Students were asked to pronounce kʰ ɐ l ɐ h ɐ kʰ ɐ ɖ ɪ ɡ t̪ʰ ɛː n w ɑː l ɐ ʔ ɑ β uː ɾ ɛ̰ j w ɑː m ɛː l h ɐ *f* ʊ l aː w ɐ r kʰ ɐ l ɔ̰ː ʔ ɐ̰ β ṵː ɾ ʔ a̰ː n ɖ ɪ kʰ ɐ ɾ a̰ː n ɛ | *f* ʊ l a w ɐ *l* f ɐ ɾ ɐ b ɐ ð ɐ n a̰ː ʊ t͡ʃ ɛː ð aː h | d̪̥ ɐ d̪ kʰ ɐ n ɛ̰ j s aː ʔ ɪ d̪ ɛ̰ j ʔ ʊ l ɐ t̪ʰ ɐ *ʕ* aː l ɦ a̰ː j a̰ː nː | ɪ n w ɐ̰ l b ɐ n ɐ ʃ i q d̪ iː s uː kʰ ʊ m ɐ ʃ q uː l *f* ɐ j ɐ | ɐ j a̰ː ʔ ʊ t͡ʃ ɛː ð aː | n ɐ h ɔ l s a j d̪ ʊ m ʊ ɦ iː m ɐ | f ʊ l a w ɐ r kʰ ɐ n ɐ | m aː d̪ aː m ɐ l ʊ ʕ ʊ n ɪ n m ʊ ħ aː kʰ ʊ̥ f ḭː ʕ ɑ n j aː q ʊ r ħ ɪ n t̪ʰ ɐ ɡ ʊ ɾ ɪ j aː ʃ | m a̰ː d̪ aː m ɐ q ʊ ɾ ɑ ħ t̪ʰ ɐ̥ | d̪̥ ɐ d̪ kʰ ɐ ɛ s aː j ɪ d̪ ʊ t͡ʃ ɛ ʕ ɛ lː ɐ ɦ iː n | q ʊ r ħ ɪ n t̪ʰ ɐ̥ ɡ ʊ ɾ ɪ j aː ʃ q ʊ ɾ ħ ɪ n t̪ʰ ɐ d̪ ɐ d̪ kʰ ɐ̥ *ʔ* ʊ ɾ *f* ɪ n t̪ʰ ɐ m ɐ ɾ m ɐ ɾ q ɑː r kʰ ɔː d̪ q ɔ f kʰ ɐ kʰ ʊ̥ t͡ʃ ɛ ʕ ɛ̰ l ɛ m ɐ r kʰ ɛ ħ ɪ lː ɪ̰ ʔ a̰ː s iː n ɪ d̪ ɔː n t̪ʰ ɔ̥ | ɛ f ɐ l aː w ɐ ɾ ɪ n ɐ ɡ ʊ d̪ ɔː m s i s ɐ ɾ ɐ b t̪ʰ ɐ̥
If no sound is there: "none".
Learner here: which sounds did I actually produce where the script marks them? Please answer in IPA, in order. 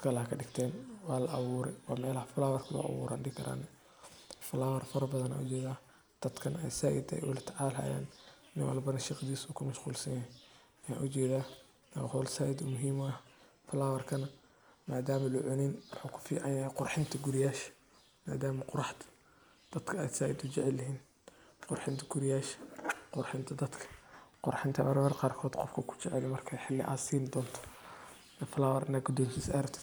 f, f, r, ʕ, s, q, ħ

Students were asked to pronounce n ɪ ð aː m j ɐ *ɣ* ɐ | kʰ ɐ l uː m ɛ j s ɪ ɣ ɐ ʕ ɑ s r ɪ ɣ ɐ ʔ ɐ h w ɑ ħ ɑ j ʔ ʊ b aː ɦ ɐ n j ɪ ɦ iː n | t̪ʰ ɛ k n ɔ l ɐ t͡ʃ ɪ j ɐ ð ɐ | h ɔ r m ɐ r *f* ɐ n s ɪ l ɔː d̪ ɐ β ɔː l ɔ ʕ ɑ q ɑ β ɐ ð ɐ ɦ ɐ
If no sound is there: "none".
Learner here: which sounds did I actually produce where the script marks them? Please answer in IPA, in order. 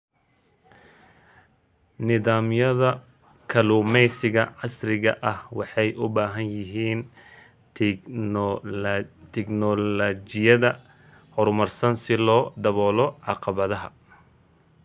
ð, s

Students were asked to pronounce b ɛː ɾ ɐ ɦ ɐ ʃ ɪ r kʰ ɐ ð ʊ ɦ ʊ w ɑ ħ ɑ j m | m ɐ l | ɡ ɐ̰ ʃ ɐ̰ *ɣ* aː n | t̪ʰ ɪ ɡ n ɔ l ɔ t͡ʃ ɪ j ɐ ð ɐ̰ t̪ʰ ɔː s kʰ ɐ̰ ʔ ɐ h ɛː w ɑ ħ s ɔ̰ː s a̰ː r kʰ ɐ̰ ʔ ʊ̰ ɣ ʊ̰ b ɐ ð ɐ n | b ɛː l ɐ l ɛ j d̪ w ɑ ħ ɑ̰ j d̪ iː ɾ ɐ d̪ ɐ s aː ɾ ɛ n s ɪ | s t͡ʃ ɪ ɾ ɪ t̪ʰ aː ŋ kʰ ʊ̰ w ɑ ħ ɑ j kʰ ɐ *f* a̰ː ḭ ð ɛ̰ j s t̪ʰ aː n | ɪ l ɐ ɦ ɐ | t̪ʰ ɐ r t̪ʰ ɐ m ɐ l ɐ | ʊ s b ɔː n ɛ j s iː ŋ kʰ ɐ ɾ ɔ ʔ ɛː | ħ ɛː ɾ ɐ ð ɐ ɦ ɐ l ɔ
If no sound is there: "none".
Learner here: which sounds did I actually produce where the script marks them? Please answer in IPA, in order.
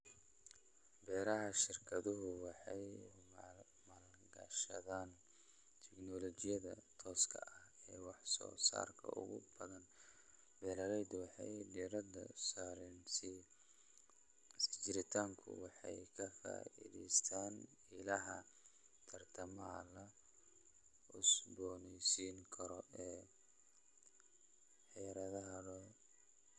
ð, f

